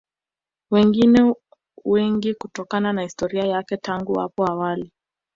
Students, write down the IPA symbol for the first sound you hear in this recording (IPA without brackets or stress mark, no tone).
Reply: w